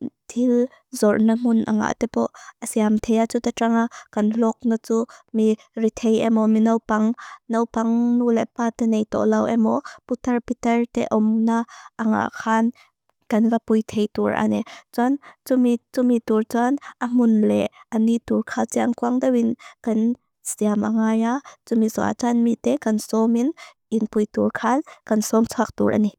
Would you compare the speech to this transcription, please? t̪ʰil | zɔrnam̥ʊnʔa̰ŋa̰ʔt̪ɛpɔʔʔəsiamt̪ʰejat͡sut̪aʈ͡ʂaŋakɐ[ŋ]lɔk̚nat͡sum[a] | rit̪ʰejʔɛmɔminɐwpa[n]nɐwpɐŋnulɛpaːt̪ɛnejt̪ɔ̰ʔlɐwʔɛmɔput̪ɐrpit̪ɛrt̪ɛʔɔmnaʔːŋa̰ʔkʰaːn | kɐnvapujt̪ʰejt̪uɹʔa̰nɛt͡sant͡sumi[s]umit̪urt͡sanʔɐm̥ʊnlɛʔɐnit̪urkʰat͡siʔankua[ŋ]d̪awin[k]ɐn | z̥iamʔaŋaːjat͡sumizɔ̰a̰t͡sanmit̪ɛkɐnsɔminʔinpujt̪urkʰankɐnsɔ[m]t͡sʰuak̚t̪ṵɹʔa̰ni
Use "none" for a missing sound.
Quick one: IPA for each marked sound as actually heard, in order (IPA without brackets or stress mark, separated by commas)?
n, i, ŋ, t͡s, ŋ, k, m